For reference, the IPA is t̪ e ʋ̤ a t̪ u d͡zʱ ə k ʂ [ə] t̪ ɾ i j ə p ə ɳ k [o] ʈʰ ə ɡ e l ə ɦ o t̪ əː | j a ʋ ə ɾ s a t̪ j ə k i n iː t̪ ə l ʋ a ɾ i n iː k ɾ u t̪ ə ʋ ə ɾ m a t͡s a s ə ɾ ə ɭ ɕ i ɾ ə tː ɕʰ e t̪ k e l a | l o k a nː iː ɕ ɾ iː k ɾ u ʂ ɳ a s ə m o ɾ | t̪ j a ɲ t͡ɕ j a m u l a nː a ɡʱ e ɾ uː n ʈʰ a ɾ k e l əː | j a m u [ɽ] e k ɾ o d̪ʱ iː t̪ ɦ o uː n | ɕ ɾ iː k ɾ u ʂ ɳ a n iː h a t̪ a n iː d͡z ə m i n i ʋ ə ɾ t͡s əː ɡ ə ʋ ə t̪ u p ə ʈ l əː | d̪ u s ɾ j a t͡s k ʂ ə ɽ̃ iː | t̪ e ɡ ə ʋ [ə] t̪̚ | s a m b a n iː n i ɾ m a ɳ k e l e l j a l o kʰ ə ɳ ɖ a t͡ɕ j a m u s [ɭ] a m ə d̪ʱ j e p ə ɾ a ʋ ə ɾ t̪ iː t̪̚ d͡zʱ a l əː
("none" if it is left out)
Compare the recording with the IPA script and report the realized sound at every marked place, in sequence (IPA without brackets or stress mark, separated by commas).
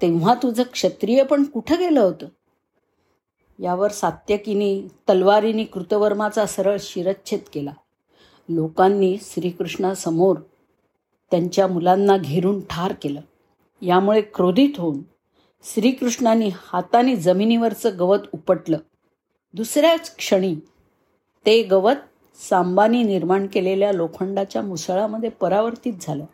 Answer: ə, u, ɭ, ə, ɭ